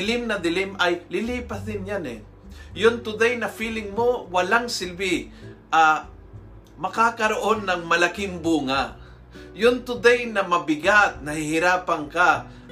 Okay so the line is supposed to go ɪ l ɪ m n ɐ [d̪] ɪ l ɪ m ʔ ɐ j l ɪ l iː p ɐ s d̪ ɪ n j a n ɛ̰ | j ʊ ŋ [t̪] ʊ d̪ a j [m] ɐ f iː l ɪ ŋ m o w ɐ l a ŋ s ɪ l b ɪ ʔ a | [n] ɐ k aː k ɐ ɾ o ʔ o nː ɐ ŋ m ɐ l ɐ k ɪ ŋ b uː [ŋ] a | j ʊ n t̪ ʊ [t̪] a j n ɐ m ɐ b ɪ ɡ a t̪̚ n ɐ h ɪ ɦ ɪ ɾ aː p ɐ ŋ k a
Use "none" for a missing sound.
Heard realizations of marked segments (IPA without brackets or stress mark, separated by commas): d̪, t̪, n, m, ŋ, d̪